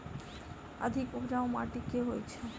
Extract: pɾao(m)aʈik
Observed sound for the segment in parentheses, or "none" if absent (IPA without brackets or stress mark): m